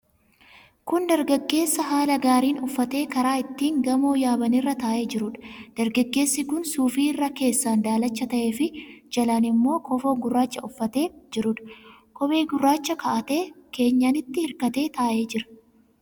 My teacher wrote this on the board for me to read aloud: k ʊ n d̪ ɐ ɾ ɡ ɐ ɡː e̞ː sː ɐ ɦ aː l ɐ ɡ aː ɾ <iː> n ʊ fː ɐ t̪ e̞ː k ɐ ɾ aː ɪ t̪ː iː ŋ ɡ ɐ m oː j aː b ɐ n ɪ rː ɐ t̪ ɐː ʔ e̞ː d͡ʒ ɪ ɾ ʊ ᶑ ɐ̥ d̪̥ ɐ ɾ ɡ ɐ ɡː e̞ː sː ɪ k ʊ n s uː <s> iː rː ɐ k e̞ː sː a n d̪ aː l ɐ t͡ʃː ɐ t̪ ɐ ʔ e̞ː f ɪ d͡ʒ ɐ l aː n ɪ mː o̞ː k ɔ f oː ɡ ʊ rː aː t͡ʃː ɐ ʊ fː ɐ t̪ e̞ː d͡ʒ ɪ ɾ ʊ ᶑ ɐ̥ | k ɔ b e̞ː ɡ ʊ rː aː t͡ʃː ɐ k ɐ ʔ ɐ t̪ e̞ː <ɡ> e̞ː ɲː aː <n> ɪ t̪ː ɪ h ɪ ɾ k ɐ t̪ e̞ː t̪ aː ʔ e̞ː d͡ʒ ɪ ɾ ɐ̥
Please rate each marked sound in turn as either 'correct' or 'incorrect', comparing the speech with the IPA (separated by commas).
correct, incorrect, incorrect, correct